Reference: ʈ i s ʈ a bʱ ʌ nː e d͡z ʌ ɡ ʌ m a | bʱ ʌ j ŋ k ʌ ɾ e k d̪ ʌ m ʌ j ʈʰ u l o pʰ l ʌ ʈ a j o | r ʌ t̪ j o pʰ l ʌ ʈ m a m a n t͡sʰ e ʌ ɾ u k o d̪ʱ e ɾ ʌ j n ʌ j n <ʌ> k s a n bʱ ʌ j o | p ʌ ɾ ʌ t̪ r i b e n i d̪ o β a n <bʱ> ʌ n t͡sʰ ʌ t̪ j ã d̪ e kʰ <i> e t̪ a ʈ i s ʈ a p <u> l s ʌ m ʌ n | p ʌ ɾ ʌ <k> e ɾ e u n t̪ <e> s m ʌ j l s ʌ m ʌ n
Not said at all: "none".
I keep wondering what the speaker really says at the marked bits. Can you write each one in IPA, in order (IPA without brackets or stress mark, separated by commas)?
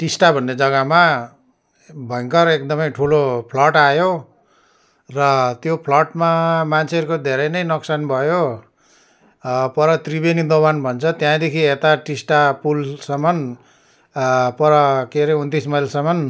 ʌ, bʱ, i, u, k, i